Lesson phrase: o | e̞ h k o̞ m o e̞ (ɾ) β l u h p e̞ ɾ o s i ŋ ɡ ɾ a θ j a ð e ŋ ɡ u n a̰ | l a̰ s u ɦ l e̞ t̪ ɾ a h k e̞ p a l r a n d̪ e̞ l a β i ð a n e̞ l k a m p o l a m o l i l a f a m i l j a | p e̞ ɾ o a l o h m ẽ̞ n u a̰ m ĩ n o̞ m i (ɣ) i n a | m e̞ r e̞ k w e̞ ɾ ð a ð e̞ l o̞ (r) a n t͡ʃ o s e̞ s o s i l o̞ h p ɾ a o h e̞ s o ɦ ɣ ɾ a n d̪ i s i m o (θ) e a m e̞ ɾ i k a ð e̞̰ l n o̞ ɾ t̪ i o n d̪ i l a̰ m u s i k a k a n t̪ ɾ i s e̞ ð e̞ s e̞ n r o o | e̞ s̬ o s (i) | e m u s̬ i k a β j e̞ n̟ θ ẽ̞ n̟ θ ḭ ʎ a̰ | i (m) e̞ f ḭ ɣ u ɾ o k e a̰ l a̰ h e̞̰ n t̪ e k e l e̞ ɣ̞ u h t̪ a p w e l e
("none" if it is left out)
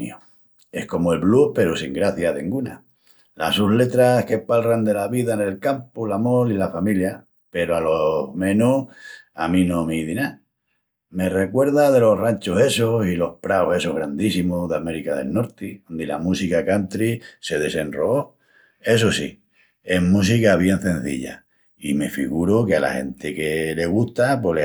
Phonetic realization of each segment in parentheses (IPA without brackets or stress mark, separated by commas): l, ð, r, ð, i, m